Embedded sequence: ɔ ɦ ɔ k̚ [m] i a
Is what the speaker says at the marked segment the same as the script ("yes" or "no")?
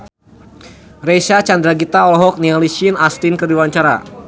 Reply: no